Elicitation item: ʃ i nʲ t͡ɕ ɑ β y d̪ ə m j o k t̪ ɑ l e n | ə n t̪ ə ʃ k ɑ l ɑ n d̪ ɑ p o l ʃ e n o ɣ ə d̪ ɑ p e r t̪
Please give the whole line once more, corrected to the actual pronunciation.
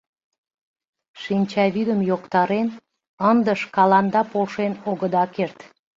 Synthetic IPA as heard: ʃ i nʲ t͡ɕ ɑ β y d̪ ə m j o k t̪ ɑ ɾ e n | ə n d̪ ə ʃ k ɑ l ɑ n d̪ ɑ p o l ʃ e n o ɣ ə d̪ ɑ k e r t̪